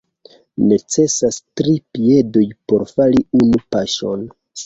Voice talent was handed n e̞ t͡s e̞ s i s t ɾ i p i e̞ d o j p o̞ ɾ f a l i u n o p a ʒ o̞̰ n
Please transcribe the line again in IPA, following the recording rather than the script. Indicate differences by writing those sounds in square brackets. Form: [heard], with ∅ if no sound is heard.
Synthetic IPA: n e̞ t͡s e̞ s [a] s t ɾ i p i e̞ d o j p o̞ ɾ f a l i u n [u] p a [ʃ] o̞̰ n